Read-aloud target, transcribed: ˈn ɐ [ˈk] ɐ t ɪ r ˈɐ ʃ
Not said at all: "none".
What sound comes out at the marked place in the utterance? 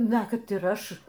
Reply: k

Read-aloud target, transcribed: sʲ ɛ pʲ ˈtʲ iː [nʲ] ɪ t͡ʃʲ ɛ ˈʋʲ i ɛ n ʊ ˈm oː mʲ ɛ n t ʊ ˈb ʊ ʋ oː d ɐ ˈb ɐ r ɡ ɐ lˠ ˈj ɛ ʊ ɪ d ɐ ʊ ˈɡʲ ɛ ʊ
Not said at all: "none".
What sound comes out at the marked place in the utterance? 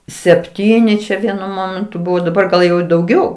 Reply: nʲ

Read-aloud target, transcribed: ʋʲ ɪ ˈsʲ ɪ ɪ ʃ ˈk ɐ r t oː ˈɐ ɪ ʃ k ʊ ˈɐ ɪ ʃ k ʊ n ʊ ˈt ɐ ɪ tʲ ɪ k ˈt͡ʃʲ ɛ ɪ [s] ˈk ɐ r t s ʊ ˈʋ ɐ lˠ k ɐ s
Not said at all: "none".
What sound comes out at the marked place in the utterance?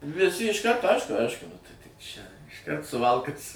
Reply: ʃ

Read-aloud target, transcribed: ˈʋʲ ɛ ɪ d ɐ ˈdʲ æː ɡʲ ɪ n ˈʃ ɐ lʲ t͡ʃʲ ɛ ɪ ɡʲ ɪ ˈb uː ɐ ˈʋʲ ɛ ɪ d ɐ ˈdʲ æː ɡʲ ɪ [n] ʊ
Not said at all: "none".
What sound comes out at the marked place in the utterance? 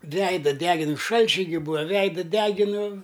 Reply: n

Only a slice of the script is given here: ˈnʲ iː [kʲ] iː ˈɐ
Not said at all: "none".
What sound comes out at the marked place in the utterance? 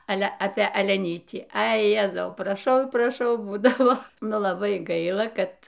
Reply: tʲ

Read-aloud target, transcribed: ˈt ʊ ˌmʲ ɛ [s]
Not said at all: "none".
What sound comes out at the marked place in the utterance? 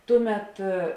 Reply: t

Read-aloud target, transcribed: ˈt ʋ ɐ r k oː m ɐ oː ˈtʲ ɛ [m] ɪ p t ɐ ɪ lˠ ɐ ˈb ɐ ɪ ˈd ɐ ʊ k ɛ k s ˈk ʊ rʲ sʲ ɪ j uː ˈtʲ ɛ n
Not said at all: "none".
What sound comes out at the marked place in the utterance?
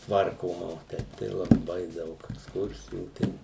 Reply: none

